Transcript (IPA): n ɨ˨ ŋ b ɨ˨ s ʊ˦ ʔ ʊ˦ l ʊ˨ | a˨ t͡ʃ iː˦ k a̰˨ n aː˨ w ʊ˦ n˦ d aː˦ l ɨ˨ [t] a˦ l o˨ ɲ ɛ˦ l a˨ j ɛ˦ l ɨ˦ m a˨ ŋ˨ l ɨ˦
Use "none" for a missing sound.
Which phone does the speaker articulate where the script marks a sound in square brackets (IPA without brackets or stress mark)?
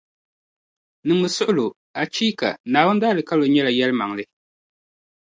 k